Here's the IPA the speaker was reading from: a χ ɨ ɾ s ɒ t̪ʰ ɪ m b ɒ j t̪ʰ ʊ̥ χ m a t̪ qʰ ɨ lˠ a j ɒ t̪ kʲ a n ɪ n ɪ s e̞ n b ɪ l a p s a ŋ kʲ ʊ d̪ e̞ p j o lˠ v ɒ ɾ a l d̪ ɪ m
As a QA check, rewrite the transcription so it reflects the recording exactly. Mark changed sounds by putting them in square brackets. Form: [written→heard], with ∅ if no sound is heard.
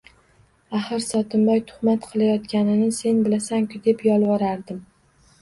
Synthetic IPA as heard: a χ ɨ ɾ s ɒ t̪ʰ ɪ m b ɒ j t̪ʰ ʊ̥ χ m a t̪ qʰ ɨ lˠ a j ɒ t̪ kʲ a n ɪ n ɪ s e̞ n b ɪ l a [p→∅] s a ŋ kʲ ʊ d̪ e̞ p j [o→ɒ] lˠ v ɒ ɾ a [l→ɾ] d̪ ɪ m

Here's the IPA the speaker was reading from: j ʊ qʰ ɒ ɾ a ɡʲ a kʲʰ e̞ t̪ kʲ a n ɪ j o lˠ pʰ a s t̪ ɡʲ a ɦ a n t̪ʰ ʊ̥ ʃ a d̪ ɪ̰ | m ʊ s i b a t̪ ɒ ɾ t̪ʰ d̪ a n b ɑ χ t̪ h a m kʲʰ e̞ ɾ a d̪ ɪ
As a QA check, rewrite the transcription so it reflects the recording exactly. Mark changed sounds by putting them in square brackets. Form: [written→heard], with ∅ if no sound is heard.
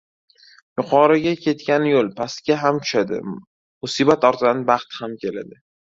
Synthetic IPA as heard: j ʊ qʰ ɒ ɾ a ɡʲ a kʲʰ e̞ t̪ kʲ a n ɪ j o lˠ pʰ a s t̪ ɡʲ a ɦ a [n→m] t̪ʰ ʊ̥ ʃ a d̪ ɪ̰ | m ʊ s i b a t̪ ɒ ɾ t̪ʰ d̪ a n b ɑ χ t̪ h a m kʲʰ e̞ [ɾ→l] a d̪ ɪ

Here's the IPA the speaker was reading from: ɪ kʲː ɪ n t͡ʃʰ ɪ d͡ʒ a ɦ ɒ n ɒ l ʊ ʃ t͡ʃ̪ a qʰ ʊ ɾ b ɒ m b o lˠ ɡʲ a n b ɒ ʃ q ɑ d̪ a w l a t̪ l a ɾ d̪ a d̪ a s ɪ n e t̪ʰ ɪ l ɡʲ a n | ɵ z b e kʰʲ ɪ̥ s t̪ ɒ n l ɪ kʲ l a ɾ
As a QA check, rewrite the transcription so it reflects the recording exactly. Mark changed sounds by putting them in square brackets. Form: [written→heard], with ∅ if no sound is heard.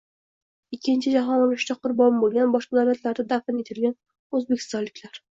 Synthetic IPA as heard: ɪ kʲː ɪ n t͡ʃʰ ɪ d͡ʒ a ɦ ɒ n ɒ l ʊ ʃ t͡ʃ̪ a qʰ ʊ ɾ b ɒ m b o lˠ ɡʲ a n b ɒ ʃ q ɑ d̪ a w l a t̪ l a ɾ d̪ a d̪ a [s→f] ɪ n e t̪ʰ ɪ l ɡʲ a n | ɵ z b e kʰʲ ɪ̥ s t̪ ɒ n l ɪ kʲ l a ɾ

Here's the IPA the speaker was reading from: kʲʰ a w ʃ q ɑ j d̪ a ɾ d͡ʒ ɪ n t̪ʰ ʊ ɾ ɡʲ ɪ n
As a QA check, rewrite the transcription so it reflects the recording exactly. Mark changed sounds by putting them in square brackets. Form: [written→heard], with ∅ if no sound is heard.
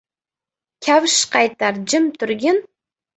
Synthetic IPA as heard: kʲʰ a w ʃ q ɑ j [d̪→t̪] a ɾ d͡ʒ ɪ [n→m] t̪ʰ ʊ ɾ ɡʲ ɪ n

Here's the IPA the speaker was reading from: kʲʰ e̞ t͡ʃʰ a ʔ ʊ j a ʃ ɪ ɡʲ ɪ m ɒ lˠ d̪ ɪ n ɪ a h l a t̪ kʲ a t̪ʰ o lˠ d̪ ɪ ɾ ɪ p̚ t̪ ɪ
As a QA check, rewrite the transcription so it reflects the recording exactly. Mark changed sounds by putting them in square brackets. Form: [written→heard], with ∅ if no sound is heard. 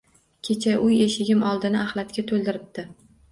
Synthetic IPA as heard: kʲʰ e̞ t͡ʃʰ a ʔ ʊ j [a→e] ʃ ɪ ɡʲ ɪ m ɒ lˠ d̪ ɪ n ɪ a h l a t̪ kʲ a t̪ʰ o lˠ d̪ ɪ ɾ ɪ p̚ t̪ ɪ

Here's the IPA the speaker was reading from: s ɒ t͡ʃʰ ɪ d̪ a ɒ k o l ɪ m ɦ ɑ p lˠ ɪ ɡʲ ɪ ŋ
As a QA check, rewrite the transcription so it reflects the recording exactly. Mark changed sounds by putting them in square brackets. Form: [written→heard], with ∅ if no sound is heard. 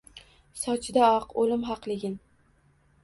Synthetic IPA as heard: s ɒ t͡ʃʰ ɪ d̪ a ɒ [k→q] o l ɪ m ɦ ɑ [p→q] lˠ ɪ ɡʲ ɪ [ŋ→n]

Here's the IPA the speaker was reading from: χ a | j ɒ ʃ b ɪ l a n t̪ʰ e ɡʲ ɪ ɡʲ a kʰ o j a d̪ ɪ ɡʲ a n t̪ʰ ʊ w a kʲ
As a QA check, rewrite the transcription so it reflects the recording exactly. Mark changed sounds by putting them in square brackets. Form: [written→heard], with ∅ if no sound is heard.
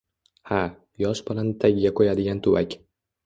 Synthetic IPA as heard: [χ→h] a | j ɒ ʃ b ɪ l a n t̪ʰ [e→a] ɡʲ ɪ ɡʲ a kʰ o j a d̪ ɪ ɡʲ a n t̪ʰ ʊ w a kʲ

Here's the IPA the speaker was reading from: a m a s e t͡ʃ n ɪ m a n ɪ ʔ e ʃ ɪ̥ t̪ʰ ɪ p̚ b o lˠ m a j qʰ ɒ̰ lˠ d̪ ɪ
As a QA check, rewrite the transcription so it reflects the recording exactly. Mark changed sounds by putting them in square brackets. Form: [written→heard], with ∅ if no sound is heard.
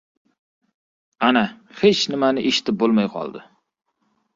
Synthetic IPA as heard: a [m→n] a [s→h] e t͡ʃ n ɪ m a n ɪ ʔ e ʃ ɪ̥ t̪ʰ ɪ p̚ b o lˠ m a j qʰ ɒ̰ lˠ d̪ ɪ

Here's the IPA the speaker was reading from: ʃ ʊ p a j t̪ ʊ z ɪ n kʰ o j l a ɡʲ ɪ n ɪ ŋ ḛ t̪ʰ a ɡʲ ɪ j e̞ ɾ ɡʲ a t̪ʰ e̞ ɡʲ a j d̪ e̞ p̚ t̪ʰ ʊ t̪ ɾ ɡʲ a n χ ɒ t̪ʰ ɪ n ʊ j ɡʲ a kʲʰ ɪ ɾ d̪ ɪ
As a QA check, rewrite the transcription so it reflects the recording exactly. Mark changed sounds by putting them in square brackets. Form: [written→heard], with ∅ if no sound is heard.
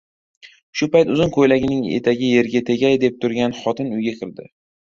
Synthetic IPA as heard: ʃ ʊ p a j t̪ ʊ z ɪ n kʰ o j l a ɡʲ ɪ n ɪ ŋ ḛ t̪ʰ a ɡʲ ɪ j e̞ ɾ ɡʲ a t̪ʰ e̞ ɡʲ a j d̪ e̞ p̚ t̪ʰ ʊ [t̪→∅] ɾ ɡʲ a n χ ɒ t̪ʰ ɪ n ʊ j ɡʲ a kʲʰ ɪ ɾ d̪ ɪ

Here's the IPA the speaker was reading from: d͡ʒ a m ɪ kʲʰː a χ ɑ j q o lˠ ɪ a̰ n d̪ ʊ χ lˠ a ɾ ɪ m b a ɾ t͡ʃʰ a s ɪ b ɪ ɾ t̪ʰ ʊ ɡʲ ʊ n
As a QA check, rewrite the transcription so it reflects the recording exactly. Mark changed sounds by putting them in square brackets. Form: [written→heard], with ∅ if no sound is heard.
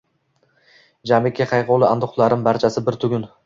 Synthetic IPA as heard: d͡ʒ a m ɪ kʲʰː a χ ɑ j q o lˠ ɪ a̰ n d̪ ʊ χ lˠ a ɾ ɪ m b a ɾ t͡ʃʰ a s ɪ b ɪ ɾ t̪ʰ ʊ ɡʲ ʊ n

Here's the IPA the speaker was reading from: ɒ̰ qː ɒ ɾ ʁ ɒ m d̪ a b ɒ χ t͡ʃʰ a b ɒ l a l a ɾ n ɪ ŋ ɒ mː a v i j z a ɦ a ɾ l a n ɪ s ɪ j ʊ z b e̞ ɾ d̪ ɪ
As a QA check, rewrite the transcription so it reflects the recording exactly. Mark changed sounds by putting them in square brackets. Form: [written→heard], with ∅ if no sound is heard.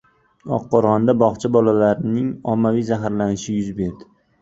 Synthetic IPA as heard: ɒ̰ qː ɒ ɾ ʁ ɒ [m→n] d̪ a b ɒ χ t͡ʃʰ a b ɒ l a l a ɾ n ɪ ŋ ɒ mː a v i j z a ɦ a ɾ l a n ɪ [s→ʃ] ɪ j ʊ z b e̞ ɾ d̪ ɪ

